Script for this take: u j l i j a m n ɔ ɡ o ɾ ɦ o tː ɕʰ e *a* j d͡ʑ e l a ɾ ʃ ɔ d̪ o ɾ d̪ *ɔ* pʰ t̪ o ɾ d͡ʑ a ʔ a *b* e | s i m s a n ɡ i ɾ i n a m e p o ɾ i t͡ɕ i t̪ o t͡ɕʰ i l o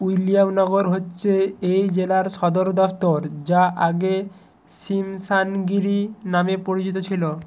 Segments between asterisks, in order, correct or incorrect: incorrect: e, correct, incorrect: ɡ

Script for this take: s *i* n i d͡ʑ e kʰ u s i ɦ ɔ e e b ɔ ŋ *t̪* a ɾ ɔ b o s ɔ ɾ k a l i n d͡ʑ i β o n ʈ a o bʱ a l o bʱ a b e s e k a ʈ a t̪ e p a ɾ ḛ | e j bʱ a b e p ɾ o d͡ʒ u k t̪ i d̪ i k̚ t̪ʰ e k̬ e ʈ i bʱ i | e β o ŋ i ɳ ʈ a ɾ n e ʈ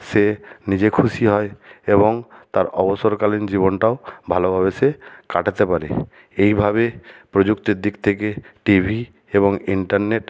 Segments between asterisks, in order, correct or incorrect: incorrect: e, correct

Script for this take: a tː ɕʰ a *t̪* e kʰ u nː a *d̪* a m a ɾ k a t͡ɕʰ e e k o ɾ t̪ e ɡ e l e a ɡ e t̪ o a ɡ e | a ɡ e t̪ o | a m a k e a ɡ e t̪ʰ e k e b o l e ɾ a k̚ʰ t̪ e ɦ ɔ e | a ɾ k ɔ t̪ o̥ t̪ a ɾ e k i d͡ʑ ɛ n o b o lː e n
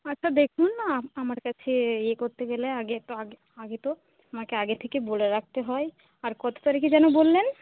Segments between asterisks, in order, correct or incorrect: incorrect: d̪, incorrect: none

